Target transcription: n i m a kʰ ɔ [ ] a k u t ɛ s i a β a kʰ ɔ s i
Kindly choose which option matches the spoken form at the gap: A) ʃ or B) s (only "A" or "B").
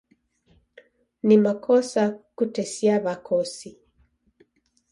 B